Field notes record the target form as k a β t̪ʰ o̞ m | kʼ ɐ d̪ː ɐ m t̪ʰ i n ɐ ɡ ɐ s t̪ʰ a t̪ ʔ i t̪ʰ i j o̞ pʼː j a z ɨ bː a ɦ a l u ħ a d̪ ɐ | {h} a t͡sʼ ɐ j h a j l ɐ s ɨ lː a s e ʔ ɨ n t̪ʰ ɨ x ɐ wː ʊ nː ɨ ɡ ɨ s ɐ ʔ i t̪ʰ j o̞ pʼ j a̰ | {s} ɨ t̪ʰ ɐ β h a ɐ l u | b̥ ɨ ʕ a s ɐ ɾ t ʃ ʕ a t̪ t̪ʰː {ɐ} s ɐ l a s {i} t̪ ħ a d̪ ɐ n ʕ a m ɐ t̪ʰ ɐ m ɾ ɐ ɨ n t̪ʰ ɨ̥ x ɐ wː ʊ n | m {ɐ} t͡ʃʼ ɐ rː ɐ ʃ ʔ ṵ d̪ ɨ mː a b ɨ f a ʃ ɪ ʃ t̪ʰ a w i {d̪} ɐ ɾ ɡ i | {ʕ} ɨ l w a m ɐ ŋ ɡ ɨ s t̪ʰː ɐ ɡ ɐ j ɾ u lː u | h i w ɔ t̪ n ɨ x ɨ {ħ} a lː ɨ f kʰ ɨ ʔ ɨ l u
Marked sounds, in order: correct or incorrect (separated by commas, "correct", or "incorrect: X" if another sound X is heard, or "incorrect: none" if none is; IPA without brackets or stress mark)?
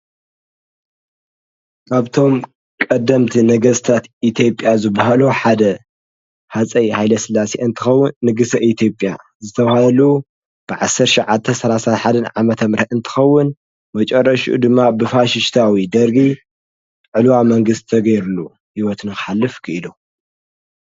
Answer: correct, incorrect: z, correct, incorrect: a, correct, correct, correct, correct